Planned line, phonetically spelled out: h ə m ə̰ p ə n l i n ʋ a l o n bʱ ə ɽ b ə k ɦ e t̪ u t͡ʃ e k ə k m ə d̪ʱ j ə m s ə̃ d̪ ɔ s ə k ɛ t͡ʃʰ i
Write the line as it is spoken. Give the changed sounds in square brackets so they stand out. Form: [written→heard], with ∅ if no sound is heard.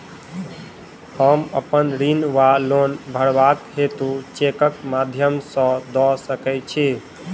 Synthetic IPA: h ə m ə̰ p ə n [l→ɾ] i n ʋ a l o n bʱ ə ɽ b [ə→a] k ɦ e t̪ u t͡ʃ e k ə k m [ə→a] d̪ʱ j ə m s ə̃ d̪ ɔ s ə k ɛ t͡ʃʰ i

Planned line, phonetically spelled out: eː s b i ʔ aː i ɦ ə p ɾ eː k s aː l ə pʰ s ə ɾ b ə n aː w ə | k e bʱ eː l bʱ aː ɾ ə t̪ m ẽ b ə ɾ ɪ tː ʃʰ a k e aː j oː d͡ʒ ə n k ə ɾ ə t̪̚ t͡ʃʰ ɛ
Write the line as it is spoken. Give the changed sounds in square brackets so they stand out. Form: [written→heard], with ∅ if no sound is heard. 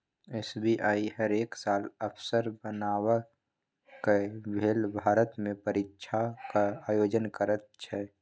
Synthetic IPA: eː s b i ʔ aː i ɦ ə [p→∅] ɾ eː k s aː l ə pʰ s ə ɾ b ə n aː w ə | k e bʱ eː l bʱ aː ɾ ə t̪ m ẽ [b→p] ə ɾ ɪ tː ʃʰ a k [e→a] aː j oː d͡ʒ ə n k ə ɾ ə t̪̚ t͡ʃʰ ɛ

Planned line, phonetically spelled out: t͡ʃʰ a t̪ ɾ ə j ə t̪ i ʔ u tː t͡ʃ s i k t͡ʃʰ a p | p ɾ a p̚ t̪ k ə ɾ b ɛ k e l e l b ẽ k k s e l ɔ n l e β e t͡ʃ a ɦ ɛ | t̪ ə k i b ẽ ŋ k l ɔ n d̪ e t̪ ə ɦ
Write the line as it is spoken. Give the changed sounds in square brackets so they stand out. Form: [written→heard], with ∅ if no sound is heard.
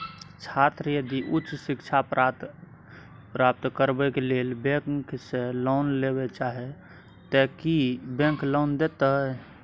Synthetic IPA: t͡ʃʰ a t̪ ɾ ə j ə [t̪→d̪] i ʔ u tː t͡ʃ s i k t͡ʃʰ a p | p ɾ a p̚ t̪ k ə ɾ b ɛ k e l e l b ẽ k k s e l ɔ n l e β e t͡ʃ a ɦ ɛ | t̪ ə k i b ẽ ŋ k l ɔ n d̪ e t̪ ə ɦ

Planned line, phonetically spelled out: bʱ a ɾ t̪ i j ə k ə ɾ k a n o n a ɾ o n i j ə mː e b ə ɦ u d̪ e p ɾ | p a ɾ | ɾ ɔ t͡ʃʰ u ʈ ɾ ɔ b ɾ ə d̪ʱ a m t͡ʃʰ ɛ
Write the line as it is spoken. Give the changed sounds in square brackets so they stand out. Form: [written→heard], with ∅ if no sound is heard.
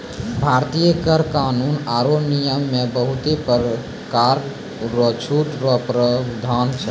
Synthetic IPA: bʱ a ɾ t̪ i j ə k ə ɾ k a n [o→u] n a ɾ o n i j ə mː e b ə ɦ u [d̪→t̪] e p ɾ | [p→k] a ɾ | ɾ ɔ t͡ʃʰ u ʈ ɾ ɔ [b→p] ɾ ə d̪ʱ a [m→n] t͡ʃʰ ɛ

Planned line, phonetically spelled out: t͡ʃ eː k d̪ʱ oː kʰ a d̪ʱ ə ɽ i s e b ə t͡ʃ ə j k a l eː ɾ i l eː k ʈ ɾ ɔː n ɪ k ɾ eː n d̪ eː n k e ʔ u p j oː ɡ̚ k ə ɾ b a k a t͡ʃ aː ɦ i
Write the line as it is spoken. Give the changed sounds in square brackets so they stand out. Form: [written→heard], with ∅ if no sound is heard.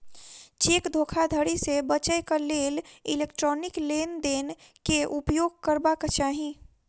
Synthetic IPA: t͡ʃ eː k d̪ʱ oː kʰ a d̪ʱ ə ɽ i s e b ə t͡ʃ ə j k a l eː [ɾ→l] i l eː k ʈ ɾ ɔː n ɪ k [ɾ→l] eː n d̪ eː n k e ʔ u p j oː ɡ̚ k ə ɾ b a k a t͡ʃ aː ɦ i

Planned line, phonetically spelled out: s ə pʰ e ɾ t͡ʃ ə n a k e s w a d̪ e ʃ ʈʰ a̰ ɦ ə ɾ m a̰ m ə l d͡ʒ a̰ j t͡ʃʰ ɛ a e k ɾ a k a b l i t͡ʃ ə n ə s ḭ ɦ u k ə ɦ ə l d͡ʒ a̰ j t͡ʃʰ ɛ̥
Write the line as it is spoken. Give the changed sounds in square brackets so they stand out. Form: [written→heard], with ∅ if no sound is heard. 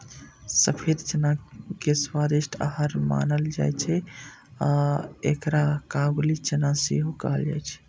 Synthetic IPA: s ə pʰ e ɾ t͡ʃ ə n a k e s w a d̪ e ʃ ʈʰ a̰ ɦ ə ɾ m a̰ [m→n] ə l d͡ʒ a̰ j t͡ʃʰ ɛ a e k ɾ a k a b l i t͡ʃ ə n [ə→a] s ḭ ɦ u k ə ɦ ə l d͡ʒ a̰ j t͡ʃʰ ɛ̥

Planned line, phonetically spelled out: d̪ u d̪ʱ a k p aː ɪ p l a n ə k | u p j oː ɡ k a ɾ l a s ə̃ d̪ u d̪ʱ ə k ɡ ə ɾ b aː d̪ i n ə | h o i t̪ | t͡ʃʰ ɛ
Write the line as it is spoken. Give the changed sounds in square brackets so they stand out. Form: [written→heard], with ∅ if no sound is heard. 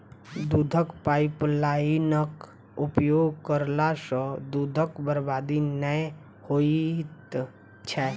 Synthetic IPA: d̪ u d̪ʱ [a→ə] k p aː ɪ p l a n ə k | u p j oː ɡ k [a→ə] ɾ l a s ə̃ d̪ u d̪ʱ ə k [ɡ→b] ə ɾ b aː d̪ i n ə | h o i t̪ | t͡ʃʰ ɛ

